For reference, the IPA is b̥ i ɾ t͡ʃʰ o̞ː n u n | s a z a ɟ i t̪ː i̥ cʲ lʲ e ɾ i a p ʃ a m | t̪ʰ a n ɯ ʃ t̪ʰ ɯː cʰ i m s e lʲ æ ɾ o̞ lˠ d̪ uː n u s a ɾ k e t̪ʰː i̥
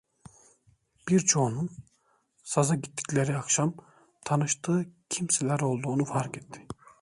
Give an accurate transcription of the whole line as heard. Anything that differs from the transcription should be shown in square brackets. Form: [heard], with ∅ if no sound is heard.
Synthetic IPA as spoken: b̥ i ɾ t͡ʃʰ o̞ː n u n | s a z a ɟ i t̪ː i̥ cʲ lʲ e ɾ i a [k] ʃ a m | t̪ʰ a n ɯ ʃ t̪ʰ ɯː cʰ i m s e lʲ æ ɾ o̞ lˠ d̪ uː n u [f] a ɾ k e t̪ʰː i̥